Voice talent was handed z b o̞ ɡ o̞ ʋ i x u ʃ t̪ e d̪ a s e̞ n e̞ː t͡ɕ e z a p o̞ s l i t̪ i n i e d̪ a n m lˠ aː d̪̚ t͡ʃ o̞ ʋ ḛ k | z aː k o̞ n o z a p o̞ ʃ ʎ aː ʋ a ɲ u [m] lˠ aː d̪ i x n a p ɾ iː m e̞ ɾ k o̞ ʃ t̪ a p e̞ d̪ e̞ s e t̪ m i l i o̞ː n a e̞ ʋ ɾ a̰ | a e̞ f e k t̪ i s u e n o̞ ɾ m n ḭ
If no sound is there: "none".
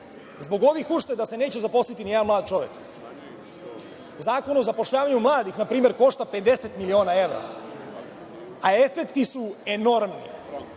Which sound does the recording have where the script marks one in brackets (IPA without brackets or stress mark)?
m